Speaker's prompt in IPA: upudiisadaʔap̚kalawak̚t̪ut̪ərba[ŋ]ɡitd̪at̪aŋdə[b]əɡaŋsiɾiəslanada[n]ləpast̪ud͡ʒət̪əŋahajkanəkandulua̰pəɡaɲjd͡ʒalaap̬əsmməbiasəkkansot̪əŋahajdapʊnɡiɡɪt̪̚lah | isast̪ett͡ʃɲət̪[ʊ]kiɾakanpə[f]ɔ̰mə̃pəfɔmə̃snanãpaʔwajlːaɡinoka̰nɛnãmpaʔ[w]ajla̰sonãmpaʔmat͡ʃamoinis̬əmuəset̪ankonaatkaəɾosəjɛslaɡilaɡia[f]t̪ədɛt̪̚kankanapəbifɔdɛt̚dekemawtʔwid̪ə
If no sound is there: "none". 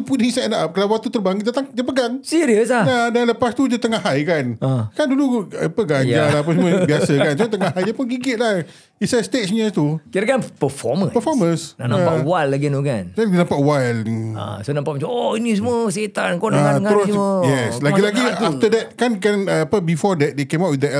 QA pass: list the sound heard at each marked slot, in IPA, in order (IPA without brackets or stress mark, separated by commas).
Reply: ŋ, p, n, u, f, w, f